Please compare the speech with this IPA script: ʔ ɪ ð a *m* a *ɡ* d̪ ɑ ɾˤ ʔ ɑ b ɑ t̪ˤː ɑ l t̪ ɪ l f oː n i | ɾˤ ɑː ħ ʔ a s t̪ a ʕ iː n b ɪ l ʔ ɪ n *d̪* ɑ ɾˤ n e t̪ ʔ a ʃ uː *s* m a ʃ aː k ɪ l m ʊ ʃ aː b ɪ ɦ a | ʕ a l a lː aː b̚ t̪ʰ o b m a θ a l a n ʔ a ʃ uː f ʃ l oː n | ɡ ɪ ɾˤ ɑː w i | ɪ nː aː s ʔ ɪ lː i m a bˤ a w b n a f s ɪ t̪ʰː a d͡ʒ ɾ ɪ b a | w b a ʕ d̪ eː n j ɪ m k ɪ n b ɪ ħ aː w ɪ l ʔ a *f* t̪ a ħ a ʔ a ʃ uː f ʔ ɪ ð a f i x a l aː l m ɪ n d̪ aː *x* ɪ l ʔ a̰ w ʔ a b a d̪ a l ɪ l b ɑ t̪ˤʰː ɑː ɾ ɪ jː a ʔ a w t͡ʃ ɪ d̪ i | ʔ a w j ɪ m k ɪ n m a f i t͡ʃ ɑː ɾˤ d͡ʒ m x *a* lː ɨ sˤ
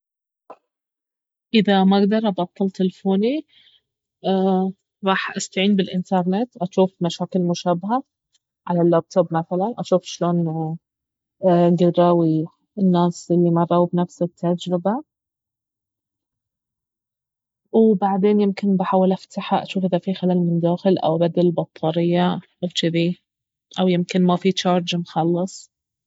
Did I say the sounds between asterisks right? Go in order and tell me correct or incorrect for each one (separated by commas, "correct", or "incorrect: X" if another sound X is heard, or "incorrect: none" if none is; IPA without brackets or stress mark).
correct, correct, incorrect: t̪, incorrect: f, correct, correct, incorrect: ɑ